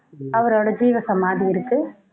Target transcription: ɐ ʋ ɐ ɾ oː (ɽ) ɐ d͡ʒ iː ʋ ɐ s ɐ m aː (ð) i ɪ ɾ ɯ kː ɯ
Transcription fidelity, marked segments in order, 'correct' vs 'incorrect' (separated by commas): correct, correct